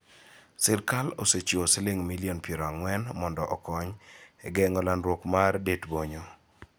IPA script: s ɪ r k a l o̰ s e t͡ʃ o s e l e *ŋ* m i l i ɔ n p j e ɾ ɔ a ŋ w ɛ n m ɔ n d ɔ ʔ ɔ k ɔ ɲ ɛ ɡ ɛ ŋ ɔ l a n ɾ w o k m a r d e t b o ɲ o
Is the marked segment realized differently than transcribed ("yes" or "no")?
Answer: no